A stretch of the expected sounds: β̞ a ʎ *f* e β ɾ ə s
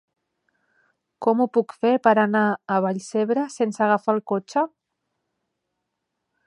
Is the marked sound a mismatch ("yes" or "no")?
yes